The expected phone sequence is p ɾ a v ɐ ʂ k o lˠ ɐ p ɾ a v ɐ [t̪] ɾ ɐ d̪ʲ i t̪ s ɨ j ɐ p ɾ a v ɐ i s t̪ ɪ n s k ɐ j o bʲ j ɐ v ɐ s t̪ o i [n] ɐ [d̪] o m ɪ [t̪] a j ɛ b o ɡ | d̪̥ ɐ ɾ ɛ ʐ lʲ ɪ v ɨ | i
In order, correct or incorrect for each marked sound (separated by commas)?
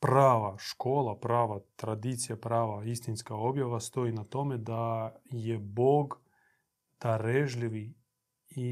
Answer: correct, correct, incorrect, incorrect